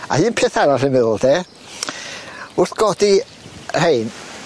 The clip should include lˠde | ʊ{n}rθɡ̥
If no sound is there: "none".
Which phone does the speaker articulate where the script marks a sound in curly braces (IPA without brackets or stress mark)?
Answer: none